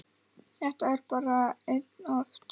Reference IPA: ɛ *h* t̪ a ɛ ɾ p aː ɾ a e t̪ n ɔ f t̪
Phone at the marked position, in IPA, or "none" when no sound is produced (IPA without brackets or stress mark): h